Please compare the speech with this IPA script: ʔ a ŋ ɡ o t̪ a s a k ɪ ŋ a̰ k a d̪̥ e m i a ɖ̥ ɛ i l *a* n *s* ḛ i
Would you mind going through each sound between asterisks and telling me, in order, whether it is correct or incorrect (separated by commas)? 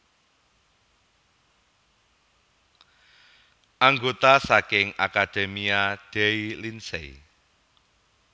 incorrect, correct